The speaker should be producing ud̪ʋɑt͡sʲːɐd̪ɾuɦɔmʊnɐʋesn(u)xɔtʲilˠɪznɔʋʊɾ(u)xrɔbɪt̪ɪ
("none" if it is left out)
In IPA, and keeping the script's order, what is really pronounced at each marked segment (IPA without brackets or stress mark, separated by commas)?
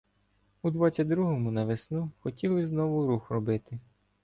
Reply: u, u